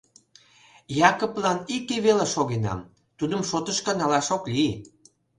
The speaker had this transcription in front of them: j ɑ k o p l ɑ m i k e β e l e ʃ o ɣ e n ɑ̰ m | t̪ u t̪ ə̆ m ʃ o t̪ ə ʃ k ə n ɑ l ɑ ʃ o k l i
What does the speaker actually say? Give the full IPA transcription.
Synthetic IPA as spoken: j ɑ k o p l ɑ n i k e β e l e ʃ o ɣ e n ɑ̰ m | t̪ u d̪ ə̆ m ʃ o t̪ ə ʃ k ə n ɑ l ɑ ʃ o k l i